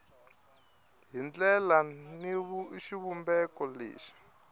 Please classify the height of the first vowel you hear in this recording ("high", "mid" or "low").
high